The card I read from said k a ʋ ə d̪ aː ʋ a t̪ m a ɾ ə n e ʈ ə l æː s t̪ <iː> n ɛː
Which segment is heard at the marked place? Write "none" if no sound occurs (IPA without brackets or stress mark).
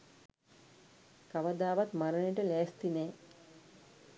i